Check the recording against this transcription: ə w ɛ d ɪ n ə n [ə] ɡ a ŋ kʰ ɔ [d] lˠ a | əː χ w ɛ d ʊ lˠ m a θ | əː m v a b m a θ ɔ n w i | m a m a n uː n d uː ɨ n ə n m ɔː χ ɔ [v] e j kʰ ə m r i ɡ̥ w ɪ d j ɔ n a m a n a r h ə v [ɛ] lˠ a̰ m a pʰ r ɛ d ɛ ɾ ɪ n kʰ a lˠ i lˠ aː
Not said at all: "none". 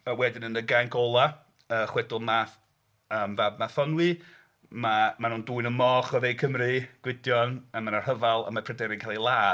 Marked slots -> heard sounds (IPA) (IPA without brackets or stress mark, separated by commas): ə, none, ð, a